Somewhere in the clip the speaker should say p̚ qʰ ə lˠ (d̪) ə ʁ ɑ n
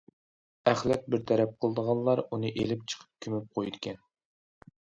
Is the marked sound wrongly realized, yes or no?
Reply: no